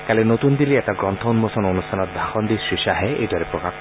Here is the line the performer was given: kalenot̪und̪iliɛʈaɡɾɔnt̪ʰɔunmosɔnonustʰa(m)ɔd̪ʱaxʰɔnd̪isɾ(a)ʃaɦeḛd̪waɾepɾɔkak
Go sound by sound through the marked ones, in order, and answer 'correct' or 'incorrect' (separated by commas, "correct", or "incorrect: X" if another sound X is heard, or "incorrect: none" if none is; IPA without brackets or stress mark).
incorrect: n, incorrect: i